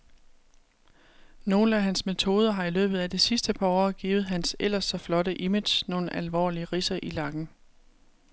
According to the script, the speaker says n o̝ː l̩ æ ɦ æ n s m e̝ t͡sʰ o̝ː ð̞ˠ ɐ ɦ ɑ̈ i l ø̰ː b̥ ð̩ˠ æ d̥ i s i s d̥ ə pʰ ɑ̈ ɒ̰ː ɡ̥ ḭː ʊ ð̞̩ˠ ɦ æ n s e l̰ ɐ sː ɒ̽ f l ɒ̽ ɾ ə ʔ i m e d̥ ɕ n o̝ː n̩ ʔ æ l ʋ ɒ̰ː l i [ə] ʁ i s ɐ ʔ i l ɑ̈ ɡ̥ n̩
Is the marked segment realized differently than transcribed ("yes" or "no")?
no